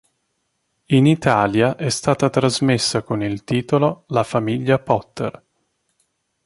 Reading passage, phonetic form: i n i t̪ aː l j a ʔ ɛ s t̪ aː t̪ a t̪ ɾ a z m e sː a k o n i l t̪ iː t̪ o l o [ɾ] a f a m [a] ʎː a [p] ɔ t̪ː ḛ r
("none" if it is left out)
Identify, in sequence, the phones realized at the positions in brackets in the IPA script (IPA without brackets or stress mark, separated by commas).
l, i, p